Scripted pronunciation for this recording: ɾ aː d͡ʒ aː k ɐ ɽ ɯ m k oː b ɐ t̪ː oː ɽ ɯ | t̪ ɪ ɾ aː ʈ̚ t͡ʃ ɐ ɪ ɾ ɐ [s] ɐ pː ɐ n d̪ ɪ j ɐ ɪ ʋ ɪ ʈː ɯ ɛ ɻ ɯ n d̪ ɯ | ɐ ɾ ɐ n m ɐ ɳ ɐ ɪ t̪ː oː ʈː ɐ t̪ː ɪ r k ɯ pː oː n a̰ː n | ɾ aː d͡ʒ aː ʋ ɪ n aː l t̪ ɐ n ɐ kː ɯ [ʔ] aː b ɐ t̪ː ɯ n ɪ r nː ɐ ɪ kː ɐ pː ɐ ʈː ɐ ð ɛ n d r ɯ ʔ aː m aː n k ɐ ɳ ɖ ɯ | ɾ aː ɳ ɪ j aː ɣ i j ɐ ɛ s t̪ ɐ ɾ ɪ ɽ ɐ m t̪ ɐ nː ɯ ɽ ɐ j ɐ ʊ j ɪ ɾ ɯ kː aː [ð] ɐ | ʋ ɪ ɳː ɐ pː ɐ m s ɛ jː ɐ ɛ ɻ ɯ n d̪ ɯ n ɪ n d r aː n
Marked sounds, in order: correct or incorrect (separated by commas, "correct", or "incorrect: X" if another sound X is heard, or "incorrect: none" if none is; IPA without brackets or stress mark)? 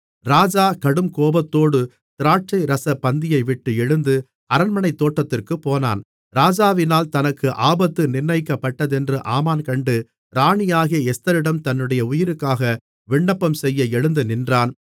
correct, correct, incorrect: ɣ